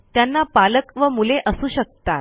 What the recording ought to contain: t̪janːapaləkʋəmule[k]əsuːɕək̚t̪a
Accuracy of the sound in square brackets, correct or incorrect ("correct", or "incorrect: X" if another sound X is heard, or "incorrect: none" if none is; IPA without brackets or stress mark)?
incorrect: ʔ